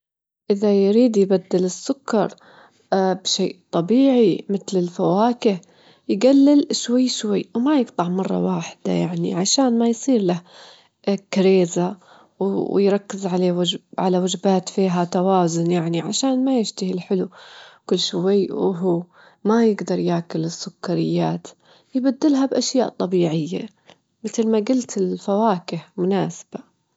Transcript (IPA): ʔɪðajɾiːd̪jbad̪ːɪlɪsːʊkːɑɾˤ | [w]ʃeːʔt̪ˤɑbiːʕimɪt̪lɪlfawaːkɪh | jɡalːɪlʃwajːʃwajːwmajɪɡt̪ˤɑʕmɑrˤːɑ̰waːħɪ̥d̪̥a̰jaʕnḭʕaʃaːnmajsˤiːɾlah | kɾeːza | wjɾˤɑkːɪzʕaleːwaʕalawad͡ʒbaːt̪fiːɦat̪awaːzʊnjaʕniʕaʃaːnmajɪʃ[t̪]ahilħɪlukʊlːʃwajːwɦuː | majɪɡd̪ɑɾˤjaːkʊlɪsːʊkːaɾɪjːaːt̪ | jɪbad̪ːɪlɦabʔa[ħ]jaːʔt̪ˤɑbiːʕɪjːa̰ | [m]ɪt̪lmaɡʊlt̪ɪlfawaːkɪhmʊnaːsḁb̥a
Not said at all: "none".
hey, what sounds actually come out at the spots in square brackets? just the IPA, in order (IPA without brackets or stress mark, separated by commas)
b, t̪, ʃ, m